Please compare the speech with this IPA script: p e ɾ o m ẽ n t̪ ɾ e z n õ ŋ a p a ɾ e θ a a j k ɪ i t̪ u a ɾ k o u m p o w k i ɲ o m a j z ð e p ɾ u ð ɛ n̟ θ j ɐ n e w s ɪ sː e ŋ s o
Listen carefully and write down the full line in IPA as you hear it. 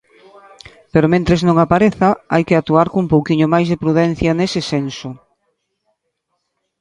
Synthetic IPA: p e ɾ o m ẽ n t̪ ɾ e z n õ ŋ a p a ɾ e θ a a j k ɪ a t̪ u a ɾ k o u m p o w k i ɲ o m a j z ð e p ɾ u ð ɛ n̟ θ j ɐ n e s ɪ s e n s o